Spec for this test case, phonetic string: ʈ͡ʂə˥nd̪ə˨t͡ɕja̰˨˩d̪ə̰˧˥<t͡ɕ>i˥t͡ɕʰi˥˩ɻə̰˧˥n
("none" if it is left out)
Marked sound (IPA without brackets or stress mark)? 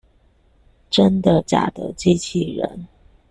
t͡ɕ